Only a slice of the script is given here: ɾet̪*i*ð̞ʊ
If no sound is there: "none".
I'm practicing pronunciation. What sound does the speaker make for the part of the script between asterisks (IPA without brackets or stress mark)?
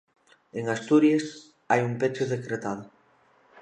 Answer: a